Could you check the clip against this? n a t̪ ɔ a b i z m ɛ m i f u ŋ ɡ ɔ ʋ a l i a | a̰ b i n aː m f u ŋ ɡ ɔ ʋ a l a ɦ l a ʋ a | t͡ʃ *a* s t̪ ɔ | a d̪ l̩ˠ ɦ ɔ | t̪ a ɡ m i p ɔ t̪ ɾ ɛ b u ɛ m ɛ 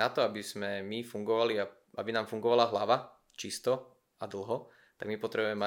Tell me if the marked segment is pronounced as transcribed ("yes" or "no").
no